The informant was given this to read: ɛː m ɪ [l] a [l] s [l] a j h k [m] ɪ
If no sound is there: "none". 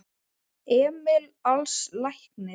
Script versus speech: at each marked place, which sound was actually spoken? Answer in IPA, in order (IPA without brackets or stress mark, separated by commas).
l, l, l, n